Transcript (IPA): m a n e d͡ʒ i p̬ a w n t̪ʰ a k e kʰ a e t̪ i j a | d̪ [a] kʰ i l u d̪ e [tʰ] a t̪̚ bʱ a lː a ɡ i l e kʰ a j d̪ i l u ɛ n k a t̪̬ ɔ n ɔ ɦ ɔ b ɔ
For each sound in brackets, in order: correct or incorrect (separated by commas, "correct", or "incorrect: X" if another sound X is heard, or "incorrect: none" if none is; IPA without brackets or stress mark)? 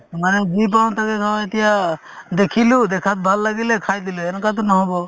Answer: incorrect: e, incorrect: kʰ